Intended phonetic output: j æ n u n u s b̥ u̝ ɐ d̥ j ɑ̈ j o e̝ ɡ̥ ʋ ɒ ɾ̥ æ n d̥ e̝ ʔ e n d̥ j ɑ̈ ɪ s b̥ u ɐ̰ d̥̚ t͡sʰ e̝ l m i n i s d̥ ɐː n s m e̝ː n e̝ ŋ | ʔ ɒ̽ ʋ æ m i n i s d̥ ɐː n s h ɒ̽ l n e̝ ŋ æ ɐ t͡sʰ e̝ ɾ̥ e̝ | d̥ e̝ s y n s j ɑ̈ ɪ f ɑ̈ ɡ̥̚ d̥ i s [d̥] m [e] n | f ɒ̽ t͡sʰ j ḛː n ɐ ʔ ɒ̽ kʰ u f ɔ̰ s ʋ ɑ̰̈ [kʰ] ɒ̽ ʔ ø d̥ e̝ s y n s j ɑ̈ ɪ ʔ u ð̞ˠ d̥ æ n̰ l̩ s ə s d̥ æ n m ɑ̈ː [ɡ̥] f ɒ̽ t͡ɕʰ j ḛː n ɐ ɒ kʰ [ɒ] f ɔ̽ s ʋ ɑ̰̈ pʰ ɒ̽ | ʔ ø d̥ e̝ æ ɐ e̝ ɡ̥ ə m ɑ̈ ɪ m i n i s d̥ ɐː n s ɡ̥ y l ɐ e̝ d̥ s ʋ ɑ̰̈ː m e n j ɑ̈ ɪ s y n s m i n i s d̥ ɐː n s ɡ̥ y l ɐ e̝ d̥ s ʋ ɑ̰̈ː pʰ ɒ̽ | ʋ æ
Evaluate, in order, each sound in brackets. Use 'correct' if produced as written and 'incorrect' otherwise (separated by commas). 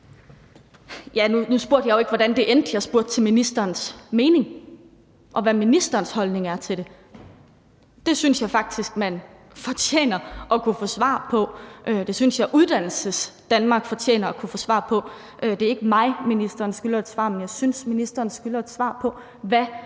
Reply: incorrect, incorrect, incorrect, correct, incorrect